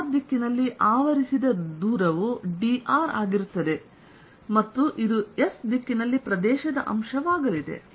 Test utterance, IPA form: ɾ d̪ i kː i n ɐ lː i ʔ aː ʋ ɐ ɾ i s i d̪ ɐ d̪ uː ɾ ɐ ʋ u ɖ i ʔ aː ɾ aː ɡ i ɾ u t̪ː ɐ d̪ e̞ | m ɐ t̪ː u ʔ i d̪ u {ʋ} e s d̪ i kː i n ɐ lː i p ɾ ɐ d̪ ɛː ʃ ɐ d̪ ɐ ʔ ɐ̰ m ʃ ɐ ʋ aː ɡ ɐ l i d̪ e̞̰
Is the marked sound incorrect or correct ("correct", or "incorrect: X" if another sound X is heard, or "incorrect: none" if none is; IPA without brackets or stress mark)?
incorrect: none